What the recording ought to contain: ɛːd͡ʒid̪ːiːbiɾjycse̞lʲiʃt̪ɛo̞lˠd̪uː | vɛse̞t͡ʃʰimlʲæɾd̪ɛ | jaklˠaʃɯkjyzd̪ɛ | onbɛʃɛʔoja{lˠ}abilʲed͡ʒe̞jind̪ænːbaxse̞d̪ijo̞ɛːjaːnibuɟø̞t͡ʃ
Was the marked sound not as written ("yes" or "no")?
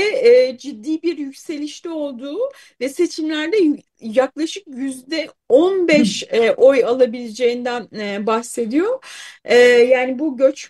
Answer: no